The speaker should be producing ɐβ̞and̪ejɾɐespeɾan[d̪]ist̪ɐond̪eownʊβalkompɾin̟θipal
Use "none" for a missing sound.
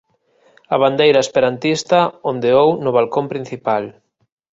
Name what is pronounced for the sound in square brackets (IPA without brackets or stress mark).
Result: t̪